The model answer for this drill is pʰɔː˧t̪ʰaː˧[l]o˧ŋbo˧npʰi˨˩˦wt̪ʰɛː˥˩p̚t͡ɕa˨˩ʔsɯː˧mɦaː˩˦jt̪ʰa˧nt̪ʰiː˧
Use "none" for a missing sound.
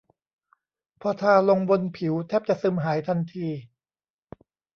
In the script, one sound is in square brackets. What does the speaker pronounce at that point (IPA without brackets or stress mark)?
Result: l